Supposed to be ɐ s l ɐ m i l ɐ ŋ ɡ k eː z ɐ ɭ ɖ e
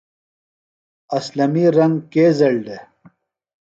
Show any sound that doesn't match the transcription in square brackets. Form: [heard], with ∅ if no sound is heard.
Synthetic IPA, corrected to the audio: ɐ s l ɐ m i [ɾ] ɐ ŋ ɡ k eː z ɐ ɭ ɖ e